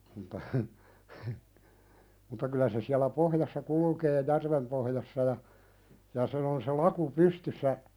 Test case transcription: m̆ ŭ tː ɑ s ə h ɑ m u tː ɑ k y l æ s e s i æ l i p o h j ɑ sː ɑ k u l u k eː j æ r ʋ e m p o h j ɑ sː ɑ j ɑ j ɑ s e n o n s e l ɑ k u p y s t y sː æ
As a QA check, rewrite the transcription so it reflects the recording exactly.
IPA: m̆ ŭ tː ɑ h ə h ə m u tː ɑ k y l æ s e s i æ l æ p o h j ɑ sː ɑ k u l u k eː j æ r ʋ e m p o h j ɑ sː ɑ j ɑ j ɑ s e n o n s e l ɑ k u p y s t y sː æ